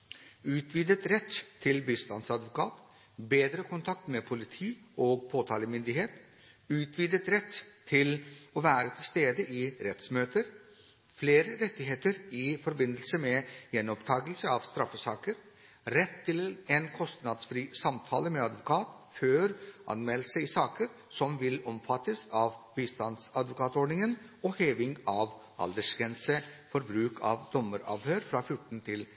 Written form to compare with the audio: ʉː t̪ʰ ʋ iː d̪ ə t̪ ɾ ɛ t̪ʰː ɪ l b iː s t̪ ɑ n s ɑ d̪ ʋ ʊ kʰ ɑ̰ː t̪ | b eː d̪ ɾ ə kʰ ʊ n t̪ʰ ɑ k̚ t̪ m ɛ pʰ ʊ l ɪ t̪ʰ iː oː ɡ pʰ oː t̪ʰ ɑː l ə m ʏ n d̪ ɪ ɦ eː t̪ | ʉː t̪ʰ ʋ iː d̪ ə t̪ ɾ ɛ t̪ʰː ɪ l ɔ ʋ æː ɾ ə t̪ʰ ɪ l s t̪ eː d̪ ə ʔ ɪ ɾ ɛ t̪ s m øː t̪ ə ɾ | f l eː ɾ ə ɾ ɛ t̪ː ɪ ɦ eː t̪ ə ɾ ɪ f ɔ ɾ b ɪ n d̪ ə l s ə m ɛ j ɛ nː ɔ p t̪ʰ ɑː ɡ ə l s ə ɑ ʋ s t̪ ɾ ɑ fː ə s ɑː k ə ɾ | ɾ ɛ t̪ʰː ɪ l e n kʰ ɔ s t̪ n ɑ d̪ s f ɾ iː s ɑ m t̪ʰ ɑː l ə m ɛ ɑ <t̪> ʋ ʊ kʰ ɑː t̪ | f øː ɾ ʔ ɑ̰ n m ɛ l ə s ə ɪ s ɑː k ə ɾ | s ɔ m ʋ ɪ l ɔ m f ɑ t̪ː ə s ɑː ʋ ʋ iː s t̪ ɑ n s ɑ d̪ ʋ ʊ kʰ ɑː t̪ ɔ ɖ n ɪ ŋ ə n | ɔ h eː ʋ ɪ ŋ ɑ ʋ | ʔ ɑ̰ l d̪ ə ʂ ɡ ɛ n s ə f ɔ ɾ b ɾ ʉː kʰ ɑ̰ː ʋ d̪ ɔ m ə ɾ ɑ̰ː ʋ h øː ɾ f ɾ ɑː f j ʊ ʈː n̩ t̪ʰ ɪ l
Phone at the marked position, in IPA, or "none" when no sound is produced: d̪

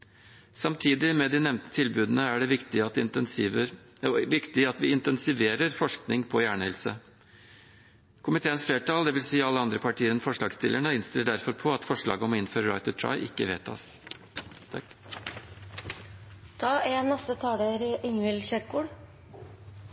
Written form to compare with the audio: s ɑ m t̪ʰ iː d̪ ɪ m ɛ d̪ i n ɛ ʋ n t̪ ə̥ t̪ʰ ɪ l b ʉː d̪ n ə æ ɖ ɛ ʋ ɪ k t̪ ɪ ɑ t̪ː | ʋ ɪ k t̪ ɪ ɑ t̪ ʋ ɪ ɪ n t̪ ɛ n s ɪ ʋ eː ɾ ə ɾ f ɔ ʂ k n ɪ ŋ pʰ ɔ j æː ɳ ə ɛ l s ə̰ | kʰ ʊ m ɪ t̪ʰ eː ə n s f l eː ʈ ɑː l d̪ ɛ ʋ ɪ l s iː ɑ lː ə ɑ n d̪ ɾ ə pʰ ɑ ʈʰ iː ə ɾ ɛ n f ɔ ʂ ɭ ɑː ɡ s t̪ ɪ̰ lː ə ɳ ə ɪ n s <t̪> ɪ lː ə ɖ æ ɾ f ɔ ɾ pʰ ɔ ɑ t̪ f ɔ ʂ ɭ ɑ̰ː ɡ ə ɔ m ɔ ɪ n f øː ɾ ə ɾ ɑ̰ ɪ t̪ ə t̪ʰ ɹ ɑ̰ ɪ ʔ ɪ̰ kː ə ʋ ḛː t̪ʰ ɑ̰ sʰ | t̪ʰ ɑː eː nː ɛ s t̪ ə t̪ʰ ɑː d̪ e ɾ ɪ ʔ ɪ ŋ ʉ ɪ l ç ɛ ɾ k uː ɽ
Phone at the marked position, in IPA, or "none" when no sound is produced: t̪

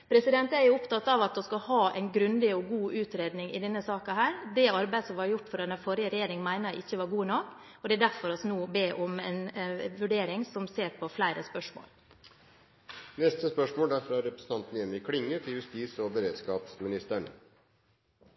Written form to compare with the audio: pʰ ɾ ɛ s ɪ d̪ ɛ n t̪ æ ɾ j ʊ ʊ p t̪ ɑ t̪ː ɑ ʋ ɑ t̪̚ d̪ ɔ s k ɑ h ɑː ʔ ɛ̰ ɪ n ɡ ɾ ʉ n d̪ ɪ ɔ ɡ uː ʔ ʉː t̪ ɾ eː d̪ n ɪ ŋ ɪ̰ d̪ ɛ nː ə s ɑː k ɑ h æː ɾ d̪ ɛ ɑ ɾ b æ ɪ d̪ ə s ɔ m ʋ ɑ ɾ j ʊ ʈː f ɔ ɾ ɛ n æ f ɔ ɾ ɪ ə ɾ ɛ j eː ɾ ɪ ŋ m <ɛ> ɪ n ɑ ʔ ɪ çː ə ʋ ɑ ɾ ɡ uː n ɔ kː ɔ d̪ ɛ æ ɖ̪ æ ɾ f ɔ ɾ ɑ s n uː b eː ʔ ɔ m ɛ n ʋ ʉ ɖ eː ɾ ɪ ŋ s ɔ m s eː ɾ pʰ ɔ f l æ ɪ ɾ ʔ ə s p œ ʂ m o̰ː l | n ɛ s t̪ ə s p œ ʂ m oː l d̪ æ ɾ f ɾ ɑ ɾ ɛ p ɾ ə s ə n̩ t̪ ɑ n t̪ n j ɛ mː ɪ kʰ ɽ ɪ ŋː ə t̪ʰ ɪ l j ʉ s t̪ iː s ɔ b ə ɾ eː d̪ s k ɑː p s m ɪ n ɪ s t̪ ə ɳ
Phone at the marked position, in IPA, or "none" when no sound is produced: æ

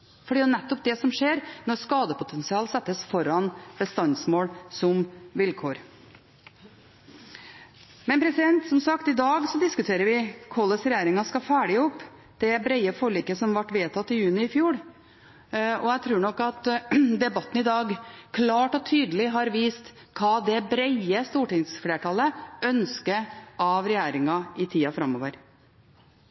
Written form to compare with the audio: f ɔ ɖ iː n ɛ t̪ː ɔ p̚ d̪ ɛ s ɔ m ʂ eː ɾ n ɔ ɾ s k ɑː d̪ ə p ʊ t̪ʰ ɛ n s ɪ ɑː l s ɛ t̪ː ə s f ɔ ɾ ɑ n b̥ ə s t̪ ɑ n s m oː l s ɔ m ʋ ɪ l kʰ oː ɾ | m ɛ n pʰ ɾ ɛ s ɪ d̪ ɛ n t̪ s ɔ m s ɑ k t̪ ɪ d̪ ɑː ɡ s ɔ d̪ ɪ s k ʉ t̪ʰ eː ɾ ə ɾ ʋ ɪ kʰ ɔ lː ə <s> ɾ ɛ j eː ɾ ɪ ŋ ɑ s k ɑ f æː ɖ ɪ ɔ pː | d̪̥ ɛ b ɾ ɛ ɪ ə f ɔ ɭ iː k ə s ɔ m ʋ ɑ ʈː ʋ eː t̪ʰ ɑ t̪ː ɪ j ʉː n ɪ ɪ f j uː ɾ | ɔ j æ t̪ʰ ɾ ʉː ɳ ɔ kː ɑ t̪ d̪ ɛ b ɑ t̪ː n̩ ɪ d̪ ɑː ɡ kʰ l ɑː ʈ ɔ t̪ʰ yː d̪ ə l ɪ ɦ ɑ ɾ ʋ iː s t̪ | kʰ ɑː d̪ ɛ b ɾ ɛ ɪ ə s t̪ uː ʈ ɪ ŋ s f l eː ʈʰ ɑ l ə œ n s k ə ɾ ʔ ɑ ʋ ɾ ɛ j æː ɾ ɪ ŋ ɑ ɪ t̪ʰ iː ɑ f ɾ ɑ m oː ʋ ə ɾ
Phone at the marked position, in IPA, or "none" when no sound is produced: s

